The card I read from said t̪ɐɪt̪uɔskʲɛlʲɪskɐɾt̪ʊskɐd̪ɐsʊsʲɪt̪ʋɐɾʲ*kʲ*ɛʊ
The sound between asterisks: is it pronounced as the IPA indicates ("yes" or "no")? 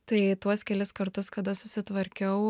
yes